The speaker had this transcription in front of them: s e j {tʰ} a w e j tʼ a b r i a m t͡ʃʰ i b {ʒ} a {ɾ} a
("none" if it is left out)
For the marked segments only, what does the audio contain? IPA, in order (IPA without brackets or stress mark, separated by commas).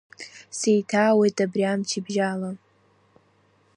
tʰ, ʒ, l